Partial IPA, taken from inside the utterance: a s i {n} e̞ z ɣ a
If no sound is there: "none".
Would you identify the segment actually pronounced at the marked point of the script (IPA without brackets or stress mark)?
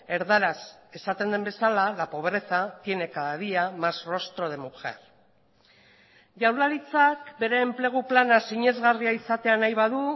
ɲ